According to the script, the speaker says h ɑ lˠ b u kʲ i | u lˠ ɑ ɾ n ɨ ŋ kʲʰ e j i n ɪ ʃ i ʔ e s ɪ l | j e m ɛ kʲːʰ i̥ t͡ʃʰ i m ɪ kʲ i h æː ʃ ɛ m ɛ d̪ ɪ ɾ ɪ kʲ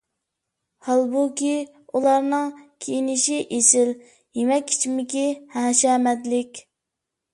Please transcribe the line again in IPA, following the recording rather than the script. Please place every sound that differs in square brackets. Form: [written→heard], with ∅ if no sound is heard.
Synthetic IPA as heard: h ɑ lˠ b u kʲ i | u lˠ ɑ ɾ n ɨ ŋ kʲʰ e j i n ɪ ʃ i ʔ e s ɪ l | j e m ɛ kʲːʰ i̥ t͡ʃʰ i m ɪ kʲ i h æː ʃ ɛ m ɛ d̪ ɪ [ɾ→l] ɪ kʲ